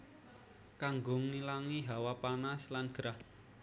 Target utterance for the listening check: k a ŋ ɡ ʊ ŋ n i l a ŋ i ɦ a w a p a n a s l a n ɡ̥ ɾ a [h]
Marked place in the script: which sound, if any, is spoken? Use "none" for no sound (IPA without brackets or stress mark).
h